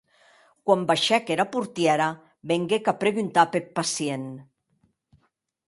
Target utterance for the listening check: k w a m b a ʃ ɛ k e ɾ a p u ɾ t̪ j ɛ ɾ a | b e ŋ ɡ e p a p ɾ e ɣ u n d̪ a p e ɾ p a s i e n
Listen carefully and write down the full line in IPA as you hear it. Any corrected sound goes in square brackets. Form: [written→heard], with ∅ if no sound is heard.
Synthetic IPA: k w a m b a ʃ ɛ k e ɾ a p u ɾ t̪ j ɛ ɾ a | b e ŋ ɡ e [p→k] a p ɾ e ɣ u n [d̪→t̪] a p e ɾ p a s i e n